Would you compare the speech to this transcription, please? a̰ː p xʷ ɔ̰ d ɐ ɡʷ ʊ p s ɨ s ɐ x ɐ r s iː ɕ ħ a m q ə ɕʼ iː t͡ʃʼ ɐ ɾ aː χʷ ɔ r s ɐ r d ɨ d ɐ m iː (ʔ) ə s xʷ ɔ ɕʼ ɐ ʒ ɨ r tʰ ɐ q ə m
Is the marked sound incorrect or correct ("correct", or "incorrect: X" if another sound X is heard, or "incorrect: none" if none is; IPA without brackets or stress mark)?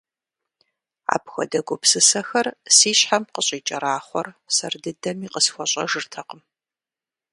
incorrect: q